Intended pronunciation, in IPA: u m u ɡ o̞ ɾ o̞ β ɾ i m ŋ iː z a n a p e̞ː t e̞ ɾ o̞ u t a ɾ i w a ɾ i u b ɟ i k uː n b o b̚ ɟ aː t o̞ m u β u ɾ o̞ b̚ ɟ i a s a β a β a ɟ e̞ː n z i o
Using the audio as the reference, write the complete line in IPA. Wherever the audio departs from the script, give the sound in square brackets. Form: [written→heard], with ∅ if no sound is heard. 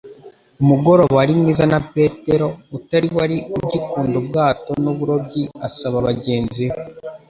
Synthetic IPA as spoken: u m u ɡ o̞ ɾ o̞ β ɾ i m ŋ iː z a n a p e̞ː t e̞ ɾ o̞ u t a ɾ i w a ɾ i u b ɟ i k uː n [b→d] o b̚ [ɟ→ɡ] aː t o̞ [m→n] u β u ɾ o̞ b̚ ɟ i a s a β a β a ɟ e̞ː n z i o